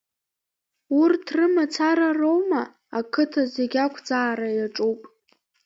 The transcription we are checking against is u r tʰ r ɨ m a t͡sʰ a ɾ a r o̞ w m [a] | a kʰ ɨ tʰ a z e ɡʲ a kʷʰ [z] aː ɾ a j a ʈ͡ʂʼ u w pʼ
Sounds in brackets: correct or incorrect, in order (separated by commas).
correct, incorrect